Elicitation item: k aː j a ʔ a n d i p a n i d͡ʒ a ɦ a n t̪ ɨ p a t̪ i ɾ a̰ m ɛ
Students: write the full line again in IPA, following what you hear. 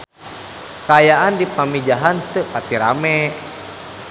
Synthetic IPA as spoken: k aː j a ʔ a n d i p a m i d͡ʒ a ɦ a n t̪ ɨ p a t̪ i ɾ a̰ m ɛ